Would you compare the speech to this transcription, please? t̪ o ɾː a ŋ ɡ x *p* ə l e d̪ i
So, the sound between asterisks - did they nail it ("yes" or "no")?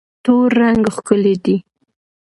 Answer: no